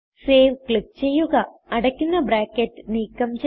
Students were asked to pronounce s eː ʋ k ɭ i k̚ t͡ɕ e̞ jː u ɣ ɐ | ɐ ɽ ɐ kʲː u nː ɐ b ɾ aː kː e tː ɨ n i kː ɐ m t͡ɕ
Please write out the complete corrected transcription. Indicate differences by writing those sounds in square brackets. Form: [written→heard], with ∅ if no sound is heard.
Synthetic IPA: s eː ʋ k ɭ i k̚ t͡ɕ e̞ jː u ɣ ɐ | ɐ ɽ ɐ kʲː u nː ɐ b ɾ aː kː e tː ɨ n [i→iː] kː ɐ m t͡ɕ